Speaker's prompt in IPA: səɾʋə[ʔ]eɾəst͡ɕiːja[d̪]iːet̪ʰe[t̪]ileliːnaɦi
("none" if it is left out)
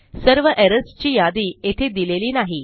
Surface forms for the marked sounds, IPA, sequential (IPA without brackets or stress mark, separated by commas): ʔ, d̪, d̪